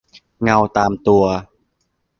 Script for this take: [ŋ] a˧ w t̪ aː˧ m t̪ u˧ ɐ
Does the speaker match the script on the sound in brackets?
yes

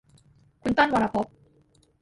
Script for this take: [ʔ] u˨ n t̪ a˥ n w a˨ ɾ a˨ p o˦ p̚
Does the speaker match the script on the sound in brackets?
no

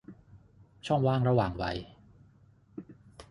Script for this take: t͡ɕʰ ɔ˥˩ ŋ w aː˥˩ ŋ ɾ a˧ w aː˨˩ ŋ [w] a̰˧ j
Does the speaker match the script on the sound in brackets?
yes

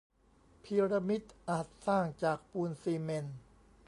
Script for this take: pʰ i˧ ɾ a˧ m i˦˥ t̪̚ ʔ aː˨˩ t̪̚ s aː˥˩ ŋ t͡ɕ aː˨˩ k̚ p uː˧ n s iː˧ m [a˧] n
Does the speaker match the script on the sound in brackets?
no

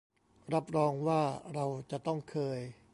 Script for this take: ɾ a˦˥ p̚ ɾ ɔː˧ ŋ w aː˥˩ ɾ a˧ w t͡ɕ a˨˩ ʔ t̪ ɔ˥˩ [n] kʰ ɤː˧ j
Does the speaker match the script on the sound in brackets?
no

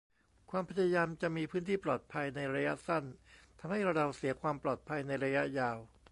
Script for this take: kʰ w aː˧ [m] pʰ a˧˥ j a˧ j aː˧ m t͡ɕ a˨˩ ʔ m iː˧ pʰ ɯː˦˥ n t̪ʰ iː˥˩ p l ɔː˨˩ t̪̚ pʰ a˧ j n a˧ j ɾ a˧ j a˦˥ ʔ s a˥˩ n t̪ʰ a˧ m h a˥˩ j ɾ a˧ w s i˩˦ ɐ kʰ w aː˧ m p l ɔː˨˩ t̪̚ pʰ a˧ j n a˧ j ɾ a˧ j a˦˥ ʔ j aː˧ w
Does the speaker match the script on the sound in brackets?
yes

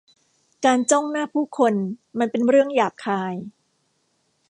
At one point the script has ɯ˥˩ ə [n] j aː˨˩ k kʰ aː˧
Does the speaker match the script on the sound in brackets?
no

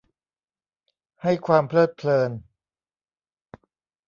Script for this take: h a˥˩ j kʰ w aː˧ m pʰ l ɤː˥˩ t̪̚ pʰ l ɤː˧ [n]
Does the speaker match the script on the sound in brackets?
yes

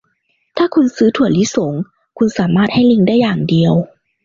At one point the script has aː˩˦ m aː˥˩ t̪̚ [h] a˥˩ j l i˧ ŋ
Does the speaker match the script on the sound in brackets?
yes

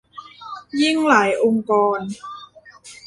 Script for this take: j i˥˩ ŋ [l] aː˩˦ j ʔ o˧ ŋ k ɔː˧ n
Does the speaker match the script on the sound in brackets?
yes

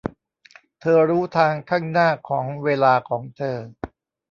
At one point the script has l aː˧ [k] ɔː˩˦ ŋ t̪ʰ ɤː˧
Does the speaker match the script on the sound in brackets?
no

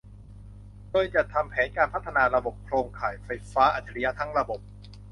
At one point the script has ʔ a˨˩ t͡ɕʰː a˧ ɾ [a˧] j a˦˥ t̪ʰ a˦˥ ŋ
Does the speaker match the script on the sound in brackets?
no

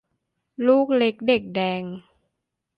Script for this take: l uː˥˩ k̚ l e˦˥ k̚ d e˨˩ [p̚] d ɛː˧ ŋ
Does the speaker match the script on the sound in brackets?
no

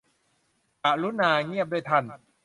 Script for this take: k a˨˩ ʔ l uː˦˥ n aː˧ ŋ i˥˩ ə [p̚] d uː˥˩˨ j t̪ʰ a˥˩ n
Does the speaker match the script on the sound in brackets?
yes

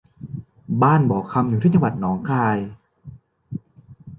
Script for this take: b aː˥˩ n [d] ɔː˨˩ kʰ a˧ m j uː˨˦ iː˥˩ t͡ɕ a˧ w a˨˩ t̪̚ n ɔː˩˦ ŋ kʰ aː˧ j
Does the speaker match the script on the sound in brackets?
no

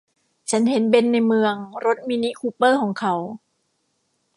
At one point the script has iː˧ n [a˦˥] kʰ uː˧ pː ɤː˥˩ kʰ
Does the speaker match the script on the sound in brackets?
no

